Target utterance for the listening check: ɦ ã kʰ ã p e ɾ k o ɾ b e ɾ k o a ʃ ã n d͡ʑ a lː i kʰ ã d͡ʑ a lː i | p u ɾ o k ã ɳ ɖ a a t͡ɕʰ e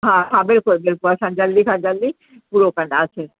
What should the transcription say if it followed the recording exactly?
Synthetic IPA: ɦ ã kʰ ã b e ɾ k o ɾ b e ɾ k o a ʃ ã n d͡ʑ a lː i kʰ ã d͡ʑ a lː i | p u ɾ o k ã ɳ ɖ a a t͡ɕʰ e